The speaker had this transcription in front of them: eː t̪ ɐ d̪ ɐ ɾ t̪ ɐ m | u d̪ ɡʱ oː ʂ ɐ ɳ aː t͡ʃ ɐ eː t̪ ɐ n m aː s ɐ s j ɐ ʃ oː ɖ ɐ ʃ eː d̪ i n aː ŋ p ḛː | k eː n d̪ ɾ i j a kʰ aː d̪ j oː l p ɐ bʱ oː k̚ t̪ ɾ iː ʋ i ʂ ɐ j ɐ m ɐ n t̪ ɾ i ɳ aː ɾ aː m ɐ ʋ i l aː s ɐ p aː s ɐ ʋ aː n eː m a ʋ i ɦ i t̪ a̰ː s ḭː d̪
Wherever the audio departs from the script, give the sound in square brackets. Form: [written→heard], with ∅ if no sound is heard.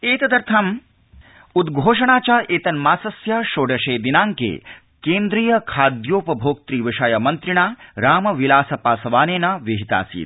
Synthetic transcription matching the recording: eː t̪ ɐ d̪ ɐ ɾ [t̪→t̪ʰ] ɐ m | u d̪ ɡʱ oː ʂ ɐ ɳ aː t͡ʃ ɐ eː t̪ ɐ n m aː s ɐ s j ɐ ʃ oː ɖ ɐ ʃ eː d̪ i n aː ŋ [p→k] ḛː | k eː n d̪ ɾ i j [a→ɐ] kʰ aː d̪ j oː [l→∅] p ɐ bʱ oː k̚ t̪ ɾ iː ʋ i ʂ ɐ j ɐ m ɐ n t̪ ɾ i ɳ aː ɾ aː m ɐ ʋ i l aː s ɐ p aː s ɐ ʋ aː n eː [m→n] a ʋ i ɦ i t̪ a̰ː s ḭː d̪